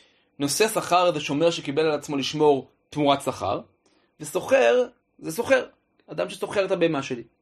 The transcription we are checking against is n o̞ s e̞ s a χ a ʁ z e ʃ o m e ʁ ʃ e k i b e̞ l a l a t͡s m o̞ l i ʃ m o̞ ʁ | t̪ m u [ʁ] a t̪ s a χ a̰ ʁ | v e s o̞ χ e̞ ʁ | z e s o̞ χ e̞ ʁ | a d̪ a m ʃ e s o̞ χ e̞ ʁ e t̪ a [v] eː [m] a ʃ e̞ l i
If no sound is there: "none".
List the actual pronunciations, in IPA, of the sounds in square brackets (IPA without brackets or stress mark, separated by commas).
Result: ʁ, b, m